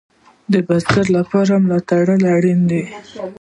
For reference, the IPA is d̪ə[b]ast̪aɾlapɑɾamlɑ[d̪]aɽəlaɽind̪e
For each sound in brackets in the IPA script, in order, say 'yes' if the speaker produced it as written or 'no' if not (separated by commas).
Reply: yes, no